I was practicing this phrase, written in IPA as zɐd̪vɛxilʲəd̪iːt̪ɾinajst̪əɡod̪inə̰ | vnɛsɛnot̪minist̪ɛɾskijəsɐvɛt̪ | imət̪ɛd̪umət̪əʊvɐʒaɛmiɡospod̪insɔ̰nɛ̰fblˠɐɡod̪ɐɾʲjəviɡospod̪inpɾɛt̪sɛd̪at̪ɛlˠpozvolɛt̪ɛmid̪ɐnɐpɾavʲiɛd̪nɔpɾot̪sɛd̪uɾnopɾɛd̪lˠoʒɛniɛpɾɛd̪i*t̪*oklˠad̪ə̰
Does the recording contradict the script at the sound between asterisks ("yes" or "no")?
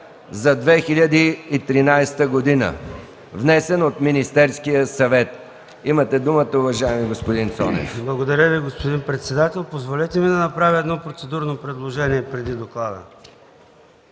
yes